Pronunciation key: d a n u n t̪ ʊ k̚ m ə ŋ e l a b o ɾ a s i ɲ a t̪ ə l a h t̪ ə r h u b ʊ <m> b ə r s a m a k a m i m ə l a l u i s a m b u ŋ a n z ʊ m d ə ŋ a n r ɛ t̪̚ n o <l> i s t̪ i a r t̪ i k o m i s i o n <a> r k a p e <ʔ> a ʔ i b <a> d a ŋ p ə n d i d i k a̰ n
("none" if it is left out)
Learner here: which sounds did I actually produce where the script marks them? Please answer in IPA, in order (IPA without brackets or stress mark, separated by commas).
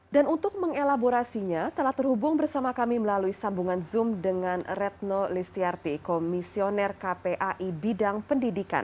ŋ, l, ɛ, ʔ, i